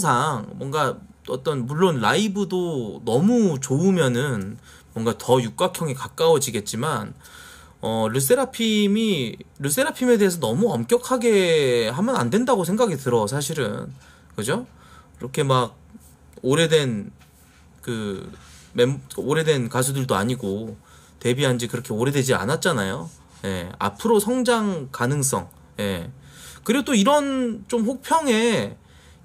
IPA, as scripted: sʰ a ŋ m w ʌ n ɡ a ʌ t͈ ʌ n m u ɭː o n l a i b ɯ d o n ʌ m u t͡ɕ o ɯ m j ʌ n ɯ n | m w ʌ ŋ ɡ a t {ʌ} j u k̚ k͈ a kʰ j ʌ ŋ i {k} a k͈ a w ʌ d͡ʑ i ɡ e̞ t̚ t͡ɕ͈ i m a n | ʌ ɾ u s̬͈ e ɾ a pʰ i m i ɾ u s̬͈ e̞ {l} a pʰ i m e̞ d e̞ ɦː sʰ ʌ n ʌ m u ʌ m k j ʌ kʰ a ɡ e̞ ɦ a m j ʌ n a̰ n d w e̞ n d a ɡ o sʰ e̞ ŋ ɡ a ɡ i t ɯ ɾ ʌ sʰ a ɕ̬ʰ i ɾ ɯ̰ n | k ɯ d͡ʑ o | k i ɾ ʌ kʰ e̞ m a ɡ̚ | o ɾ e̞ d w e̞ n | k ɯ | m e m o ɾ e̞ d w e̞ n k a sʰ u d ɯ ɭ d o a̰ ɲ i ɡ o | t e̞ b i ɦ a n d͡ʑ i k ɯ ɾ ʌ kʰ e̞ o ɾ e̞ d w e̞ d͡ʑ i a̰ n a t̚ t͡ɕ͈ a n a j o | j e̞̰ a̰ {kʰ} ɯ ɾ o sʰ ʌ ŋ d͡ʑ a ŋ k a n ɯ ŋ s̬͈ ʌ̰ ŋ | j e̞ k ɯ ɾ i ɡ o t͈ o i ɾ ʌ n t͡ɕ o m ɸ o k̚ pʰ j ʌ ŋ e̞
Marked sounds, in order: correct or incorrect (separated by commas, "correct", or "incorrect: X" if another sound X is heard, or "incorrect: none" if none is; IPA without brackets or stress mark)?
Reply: correct, correct, incorrect: ɾ, incorrect: pʰ